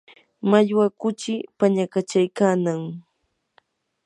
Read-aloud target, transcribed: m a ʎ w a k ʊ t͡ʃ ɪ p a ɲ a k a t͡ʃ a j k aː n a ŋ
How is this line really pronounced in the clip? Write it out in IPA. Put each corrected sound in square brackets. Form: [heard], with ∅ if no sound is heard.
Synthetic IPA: m a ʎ w a k ʊ t͡ʃ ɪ p a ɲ a k a t͡ʃ a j k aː n a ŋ